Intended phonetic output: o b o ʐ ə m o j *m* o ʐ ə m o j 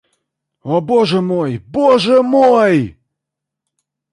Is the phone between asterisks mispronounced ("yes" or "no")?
yes